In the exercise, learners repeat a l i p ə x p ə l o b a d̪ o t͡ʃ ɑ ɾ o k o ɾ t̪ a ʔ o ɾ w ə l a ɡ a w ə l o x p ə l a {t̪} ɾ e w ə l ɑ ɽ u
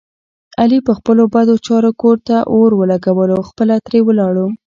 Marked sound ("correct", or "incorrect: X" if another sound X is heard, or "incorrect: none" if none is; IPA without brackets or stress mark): correct